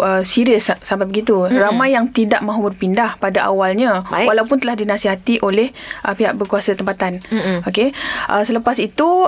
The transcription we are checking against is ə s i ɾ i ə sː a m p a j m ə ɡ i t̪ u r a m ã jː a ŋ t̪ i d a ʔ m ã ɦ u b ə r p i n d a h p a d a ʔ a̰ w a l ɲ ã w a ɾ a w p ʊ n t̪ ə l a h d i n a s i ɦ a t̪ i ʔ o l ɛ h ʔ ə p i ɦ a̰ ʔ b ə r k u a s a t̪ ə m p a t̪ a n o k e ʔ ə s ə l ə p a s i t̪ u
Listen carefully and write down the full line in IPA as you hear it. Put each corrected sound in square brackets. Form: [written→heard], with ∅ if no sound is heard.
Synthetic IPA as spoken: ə s i ɾ i ə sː a m p a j [m→b] ə ɡ i t̪ u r a m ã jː a ŋ t̪ i d a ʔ m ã ɦ u b ə r p i n d a h p a d a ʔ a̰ w a l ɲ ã w a [ɾ→l] a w p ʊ n t̪ ə l a h d i n a s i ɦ a t̪ i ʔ o l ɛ h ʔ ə p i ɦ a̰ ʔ b ə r k u a s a t̪ ə m p a t̪ a n o k e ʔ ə s ə l ə p a s i t̪ u